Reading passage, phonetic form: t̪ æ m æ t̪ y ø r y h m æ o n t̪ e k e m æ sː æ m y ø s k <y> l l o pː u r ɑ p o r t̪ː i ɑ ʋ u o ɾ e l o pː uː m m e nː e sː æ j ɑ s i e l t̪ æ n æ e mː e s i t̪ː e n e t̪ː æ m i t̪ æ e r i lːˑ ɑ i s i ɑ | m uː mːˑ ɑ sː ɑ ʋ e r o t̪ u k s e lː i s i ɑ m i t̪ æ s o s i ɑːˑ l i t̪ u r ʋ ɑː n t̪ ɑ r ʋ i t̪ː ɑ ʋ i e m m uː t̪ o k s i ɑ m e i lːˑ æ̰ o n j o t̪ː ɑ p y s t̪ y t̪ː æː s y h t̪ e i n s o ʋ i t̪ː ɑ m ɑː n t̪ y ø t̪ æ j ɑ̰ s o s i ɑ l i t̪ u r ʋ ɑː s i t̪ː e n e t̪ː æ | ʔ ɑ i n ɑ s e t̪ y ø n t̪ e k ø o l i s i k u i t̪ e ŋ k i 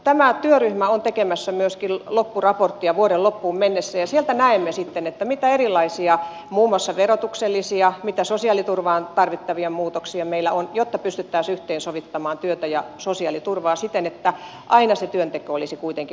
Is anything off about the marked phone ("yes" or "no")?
yes